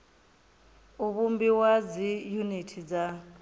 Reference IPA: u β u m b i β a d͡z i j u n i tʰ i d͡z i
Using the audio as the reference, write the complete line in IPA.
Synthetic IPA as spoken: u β u m b i w a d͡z i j u n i tʰ i d͡z a